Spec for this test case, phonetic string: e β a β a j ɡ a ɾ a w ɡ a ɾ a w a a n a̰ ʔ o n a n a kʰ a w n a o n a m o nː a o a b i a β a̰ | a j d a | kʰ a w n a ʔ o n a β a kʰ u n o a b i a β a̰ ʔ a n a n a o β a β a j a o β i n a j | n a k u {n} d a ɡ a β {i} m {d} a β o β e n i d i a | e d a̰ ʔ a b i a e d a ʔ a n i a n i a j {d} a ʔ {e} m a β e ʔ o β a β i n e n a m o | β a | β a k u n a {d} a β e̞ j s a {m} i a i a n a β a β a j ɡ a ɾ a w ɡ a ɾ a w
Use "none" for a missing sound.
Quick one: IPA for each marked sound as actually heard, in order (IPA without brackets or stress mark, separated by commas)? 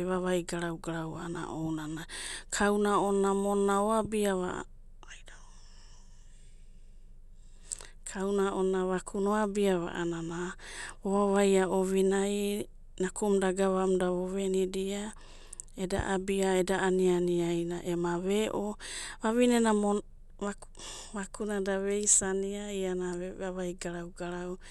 m, a, d, n, e, d, n